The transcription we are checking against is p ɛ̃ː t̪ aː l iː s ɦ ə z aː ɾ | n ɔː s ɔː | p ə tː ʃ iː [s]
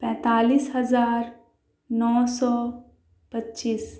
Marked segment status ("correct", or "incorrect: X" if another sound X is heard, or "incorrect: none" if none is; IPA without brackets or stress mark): correct